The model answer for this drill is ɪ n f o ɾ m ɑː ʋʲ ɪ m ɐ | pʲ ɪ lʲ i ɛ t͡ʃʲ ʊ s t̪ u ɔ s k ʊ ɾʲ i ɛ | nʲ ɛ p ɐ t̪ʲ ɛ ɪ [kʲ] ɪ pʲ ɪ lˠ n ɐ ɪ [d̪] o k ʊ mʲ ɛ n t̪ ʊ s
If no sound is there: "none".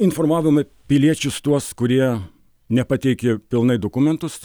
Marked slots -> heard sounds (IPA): kʲ, d̪

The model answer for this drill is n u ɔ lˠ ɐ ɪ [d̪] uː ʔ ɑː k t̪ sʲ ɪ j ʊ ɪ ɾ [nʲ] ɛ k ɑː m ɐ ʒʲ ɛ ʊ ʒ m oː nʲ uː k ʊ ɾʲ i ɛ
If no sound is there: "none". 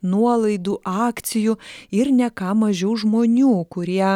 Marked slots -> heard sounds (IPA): d̪, nʲ

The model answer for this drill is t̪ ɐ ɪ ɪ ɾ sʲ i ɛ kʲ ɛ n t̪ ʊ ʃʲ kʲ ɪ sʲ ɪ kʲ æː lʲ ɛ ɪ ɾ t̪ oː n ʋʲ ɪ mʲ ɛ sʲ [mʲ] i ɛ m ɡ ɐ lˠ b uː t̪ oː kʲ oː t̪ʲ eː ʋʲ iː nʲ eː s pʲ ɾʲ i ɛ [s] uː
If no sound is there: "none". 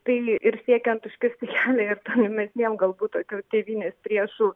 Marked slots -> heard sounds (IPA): nʲ, ʃ

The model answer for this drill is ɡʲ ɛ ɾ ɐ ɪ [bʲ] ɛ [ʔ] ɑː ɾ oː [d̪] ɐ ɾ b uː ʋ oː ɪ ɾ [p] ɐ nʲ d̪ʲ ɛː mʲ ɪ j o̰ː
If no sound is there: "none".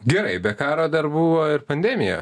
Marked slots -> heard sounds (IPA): bʲ, k, d̪, p

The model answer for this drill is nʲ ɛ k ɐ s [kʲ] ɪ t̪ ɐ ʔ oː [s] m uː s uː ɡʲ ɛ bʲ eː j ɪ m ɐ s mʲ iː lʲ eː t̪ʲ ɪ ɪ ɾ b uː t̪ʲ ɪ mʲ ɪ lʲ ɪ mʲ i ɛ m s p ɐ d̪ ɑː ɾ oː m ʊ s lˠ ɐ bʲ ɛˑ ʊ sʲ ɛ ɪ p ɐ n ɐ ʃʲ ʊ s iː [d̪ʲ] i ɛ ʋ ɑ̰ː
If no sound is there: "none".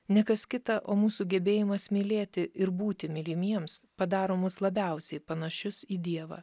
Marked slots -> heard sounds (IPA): kʲ, none, d̪ʲ

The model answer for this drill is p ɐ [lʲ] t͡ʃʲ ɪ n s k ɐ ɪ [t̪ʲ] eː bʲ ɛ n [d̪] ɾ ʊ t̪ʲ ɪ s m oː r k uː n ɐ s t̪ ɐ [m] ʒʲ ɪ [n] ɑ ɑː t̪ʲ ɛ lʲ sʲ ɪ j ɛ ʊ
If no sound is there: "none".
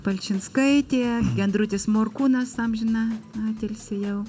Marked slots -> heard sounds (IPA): lʲ, t̪ʲ, d̪, m, n

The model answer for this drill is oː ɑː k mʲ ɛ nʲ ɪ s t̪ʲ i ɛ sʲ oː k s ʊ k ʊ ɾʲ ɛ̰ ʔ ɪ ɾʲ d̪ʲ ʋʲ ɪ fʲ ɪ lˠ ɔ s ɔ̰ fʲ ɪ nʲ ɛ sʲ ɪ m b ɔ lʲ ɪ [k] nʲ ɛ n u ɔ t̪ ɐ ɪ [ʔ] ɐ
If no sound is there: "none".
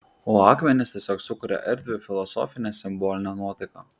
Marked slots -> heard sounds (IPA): none, k

